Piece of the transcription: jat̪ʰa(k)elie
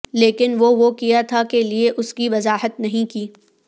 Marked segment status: correct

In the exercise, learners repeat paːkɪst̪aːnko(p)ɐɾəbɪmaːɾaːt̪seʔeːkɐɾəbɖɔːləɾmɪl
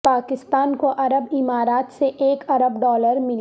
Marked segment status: incorrect: ʔ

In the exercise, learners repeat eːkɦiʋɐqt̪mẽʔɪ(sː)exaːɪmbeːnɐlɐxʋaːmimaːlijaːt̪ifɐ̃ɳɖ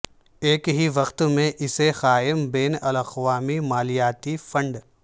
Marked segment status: incorrect: s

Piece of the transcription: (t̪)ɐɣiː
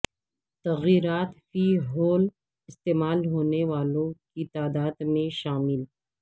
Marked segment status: correct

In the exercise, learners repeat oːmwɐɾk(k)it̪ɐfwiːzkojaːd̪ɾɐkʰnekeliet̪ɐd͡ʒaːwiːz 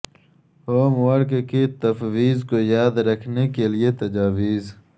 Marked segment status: correct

